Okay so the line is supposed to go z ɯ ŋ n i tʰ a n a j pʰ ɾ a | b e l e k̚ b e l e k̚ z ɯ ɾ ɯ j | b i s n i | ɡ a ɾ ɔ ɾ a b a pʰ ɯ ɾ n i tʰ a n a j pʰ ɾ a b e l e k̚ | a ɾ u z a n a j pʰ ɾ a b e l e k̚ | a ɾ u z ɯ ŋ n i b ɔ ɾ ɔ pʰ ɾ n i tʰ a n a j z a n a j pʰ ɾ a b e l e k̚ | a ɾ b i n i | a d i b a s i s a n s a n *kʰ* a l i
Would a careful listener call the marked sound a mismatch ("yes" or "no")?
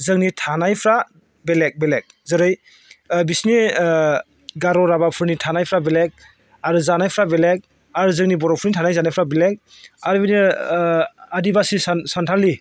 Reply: yes